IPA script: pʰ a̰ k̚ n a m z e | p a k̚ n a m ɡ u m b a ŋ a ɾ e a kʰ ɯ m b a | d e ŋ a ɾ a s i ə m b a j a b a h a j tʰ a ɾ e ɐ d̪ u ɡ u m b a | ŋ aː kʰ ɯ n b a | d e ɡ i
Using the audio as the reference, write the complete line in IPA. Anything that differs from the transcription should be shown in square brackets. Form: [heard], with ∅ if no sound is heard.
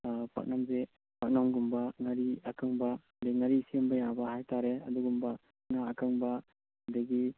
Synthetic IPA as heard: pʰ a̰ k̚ n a m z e | p a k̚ n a m ɡ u m b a ŋ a ɾ [i] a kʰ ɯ [ŋ] b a | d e ŋ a ɾ [i] s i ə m b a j a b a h a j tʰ a ɾ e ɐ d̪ u ɡ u m b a | ŋ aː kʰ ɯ [ŋ] b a | d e ɡ i